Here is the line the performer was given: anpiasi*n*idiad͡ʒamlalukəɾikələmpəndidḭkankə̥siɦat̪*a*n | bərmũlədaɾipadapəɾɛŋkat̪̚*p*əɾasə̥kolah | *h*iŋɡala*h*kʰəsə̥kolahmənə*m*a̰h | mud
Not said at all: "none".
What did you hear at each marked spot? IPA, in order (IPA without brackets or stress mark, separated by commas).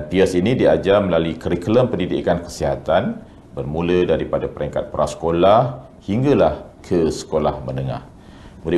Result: n, a, p, h, h, ŋ